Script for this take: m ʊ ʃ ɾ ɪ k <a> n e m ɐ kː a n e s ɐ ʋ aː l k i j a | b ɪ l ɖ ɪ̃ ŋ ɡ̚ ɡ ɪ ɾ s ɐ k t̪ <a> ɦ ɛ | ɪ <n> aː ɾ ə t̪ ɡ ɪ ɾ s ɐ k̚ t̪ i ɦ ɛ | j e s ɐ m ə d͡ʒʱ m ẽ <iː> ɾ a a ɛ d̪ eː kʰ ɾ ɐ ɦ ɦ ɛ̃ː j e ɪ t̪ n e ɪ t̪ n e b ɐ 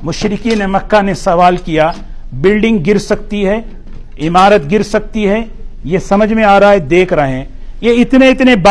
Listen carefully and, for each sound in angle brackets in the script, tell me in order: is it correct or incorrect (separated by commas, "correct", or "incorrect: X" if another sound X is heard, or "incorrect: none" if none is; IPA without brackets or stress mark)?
incorrect: i, incorrect: i, incorrect: m, incorrect: aː